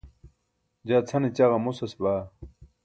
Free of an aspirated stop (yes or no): no